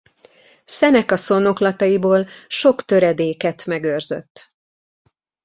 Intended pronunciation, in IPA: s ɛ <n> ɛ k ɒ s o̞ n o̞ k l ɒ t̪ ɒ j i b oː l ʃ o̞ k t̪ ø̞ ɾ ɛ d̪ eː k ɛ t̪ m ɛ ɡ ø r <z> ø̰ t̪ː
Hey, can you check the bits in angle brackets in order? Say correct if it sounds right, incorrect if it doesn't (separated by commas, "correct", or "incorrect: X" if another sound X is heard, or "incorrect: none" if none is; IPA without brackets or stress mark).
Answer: correct, correct